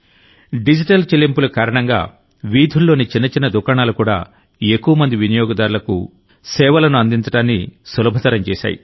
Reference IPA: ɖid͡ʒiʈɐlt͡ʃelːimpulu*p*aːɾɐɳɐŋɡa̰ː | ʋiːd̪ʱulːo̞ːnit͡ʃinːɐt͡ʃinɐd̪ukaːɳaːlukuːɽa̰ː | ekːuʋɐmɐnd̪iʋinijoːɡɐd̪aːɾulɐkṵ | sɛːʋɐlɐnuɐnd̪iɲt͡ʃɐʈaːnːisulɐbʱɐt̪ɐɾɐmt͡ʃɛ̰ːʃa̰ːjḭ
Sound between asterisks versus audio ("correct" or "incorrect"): incorrect